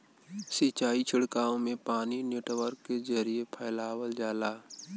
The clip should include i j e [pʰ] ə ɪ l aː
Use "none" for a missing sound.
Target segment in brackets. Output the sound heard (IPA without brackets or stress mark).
pʰ